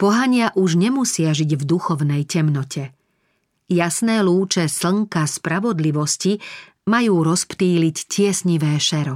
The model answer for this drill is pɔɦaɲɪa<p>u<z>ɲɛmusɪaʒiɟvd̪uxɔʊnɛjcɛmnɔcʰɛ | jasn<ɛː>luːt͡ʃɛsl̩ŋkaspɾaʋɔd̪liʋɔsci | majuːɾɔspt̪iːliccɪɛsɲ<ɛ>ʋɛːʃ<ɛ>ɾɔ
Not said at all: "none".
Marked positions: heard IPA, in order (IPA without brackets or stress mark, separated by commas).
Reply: ʔ, ʒ, ɛː, i, ɛ